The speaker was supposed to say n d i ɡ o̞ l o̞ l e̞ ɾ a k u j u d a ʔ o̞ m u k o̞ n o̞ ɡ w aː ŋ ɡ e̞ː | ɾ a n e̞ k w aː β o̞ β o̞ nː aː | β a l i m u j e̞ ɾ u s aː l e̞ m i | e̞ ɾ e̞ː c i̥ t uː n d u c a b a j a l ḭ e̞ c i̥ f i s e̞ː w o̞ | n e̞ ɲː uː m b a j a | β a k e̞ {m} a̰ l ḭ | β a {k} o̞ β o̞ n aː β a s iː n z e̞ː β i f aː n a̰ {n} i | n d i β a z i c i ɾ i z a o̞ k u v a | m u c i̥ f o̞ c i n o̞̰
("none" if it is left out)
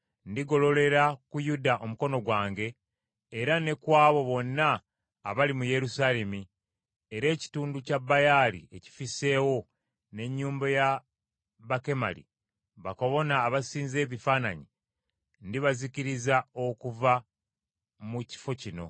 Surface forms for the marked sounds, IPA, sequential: m, k, ɲ

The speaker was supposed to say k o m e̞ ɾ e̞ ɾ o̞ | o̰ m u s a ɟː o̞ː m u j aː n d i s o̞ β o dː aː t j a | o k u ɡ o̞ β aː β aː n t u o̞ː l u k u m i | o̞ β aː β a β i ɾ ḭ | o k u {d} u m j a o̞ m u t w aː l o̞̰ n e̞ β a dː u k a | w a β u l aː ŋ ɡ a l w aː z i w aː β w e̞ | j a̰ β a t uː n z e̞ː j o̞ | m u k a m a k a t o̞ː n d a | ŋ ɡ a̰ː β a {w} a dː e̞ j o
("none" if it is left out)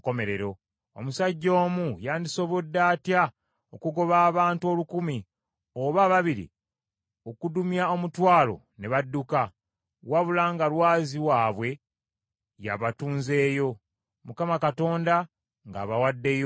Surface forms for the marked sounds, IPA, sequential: d, w

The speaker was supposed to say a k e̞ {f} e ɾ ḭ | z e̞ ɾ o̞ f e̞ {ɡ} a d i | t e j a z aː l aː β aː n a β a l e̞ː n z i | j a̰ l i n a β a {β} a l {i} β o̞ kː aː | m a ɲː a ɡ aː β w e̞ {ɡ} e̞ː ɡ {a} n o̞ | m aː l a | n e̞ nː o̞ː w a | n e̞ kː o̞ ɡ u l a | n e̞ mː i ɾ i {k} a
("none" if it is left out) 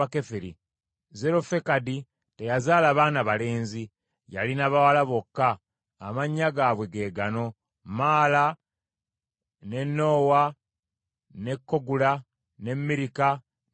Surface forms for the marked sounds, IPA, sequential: f, k, w, a, ɡ, a, k

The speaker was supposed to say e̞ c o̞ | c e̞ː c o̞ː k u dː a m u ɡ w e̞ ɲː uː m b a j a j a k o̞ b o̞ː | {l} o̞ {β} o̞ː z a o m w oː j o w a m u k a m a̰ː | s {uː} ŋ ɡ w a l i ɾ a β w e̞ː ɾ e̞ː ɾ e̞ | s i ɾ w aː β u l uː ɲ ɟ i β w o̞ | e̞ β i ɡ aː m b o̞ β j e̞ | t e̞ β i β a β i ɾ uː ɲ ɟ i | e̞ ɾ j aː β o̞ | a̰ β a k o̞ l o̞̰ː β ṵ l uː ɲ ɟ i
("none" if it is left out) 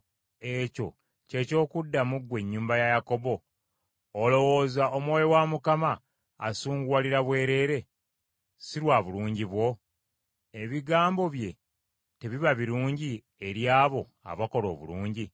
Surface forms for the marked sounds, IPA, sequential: l, w, uː

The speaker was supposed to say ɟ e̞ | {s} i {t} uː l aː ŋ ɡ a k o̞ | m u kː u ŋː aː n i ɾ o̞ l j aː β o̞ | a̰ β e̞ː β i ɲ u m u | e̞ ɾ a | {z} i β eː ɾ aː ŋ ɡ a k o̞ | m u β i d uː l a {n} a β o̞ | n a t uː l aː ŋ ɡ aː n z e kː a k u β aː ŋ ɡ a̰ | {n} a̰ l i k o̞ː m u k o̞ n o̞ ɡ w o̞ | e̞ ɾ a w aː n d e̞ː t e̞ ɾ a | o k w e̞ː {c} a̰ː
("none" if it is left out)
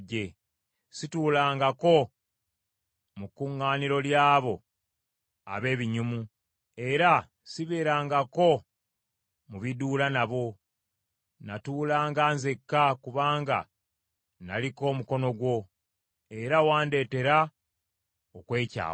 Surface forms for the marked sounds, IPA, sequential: s, t, s, n, n, c

